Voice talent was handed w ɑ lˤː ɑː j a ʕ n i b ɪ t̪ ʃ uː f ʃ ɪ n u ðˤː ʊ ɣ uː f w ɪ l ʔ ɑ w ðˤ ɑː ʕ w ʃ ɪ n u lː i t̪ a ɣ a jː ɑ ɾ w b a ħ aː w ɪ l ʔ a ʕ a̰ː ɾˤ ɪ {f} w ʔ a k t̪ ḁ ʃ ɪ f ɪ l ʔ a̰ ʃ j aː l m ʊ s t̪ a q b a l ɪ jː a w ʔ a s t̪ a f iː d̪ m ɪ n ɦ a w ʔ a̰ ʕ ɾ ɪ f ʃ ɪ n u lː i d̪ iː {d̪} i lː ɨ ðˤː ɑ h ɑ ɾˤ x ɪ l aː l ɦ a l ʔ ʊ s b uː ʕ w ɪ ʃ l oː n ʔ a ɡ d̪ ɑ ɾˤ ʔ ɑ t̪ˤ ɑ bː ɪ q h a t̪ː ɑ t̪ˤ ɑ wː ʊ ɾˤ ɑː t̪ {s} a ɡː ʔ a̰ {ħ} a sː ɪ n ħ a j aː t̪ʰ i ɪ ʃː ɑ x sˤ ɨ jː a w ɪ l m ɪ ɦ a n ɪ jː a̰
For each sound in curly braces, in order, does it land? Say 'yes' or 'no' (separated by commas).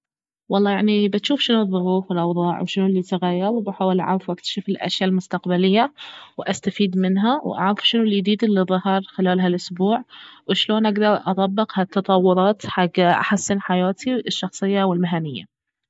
yes, yes, no, yes